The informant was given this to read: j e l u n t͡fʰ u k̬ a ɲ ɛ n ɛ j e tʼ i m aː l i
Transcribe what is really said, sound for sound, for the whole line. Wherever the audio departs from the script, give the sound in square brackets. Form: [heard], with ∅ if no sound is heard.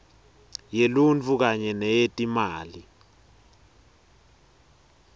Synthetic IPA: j e l u n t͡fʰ u k̬ a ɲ ɛ n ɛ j e tʼ i m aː l i